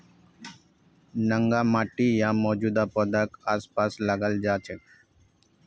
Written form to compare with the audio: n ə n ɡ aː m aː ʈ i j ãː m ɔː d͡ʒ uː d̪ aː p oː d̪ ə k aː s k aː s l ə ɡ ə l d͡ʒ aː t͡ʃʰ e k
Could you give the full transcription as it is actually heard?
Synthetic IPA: n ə ŋ ɡ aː m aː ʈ i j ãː m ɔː d͡ʒ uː d̪ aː p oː d̪ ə k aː s p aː s l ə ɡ ə l d͡ʒ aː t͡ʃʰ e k